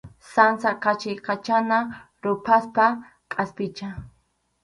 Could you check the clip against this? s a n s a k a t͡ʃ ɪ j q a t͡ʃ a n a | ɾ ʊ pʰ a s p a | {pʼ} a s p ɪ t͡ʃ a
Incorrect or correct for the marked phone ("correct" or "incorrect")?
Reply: incorrect